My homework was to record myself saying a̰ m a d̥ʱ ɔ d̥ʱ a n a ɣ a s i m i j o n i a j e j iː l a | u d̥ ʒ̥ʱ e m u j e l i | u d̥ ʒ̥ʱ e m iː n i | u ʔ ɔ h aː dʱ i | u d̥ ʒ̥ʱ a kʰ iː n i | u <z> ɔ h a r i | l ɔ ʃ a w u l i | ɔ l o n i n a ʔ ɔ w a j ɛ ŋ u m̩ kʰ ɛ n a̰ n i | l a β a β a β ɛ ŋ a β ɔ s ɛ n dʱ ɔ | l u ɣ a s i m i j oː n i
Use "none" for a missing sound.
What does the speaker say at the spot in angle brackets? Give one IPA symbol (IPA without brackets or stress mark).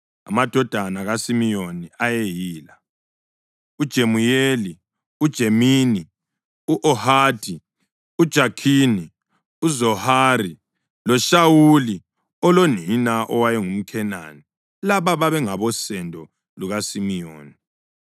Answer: z